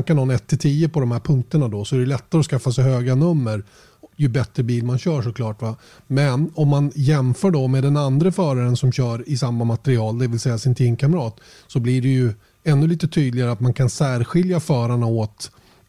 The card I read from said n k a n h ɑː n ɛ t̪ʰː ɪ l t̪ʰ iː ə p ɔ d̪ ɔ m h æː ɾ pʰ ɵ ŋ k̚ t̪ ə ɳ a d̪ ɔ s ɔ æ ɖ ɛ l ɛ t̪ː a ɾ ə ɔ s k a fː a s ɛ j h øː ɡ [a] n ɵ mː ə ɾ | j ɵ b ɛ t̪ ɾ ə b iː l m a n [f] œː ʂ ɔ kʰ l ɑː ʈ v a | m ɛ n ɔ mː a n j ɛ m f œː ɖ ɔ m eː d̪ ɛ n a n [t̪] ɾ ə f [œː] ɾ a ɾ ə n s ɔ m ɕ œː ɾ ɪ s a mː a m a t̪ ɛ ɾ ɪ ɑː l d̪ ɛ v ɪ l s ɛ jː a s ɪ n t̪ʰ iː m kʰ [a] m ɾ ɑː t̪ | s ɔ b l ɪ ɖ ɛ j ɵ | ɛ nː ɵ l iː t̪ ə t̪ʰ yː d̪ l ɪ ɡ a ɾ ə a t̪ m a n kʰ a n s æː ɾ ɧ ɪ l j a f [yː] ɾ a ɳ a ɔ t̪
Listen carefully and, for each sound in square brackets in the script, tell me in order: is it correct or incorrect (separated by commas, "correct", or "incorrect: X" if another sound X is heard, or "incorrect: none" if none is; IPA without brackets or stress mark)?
correct, incorrect: ɕ, incorrect: d̪, correct, correct, incorrect: œː